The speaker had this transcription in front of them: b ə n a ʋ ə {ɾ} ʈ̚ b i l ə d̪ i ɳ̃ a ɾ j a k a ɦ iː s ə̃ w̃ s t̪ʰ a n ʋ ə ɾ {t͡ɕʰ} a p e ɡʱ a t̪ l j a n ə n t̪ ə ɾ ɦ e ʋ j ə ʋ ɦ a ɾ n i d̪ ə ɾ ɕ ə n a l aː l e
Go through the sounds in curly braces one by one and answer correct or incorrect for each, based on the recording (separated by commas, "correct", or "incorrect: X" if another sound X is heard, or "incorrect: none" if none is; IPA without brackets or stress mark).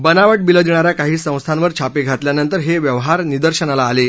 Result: incorrect: none, correct